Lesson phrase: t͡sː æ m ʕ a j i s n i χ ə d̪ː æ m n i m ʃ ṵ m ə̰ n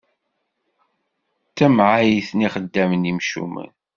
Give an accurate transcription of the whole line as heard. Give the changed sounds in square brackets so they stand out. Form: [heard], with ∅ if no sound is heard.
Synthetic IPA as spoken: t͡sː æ m ʕ a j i [θ] n i χ ə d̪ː æ m n i m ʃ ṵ m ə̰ n